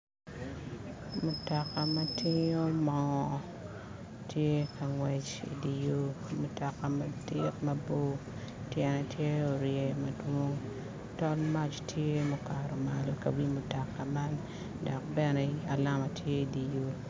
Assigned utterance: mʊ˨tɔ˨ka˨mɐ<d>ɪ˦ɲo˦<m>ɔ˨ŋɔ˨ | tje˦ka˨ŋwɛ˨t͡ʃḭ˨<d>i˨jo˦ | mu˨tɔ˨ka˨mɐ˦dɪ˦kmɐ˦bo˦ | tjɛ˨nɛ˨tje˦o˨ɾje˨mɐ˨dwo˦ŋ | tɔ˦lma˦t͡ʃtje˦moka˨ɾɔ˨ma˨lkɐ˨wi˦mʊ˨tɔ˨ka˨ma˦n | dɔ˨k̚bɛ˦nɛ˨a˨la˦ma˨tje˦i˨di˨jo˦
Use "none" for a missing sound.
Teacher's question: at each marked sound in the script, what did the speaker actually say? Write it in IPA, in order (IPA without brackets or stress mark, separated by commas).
t, m, d